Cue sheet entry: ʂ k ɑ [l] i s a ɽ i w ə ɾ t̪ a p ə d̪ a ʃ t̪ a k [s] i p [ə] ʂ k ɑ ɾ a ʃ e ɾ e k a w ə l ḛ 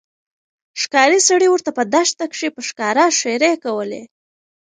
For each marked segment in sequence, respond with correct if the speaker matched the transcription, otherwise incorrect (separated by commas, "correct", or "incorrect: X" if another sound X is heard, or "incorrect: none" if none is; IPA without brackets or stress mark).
incorrect: ɾ, incorrect: ʂ, correct